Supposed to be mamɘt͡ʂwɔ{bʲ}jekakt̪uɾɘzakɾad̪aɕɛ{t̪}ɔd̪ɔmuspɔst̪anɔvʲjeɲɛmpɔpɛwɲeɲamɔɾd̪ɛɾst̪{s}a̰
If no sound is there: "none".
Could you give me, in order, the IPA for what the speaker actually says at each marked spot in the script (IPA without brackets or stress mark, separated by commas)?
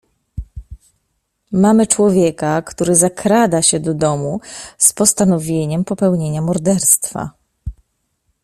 vʲ, d̪, f